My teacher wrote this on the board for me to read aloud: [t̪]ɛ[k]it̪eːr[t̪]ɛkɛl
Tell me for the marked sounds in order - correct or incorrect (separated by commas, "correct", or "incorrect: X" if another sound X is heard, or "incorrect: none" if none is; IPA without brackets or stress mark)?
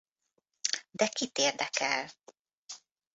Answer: incorrect: d̪, correct, incorrect: d̪